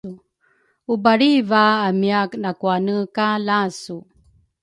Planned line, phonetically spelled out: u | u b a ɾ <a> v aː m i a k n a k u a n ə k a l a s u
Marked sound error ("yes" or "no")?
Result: yes